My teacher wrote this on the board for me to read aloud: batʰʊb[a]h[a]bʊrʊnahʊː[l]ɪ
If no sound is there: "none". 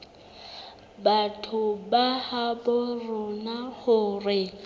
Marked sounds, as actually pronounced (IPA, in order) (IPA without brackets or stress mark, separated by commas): a, a, r